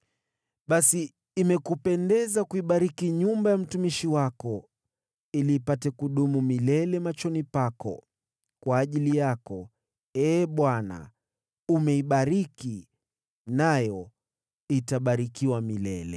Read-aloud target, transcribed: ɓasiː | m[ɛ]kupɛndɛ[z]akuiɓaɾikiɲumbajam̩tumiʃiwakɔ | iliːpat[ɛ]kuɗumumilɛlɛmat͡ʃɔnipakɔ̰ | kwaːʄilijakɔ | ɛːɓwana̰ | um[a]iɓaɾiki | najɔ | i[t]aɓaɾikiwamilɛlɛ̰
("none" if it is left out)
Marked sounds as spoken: ɛ, z, ɛ, ɛ, t

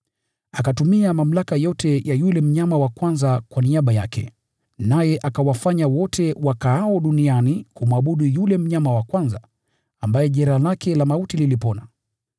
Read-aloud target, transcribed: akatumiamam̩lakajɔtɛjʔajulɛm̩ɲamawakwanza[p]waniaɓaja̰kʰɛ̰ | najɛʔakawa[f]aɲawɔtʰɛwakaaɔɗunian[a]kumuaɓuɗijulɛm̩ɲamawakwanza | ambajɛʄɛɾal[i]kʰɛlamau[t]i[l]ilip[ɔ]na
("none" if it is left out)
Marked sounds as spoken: k, f, i, a, t, l, ɔ

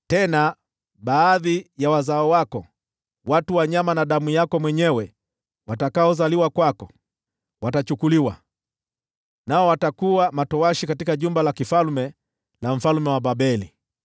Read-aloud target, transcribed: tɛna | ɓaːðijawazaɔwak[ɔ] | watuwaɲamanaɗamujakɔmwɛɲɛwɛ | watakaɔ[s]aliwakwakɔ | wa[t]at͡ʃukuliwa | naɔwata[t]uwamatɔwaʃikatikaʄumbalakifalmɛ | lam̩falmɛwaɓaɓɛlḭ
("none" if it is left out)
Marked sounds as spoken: ɔ, z, t, k

